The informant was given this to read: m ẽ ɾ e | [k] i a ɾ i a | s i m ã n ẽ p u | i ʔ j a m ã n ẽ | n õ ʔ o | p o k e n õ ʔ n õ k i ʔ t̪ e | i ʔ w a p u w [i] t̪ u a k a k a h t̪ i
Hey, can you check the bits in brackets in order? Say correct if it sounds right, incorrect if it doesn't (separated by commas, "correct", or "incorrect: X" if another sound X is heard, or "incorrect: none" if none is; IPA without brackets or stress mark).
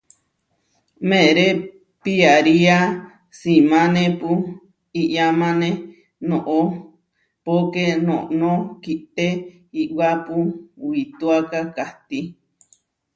incorrect: p, correct